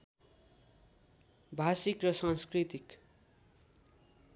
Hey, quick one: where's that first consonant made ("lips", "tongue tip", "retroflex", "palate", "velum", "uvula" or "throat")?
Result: lips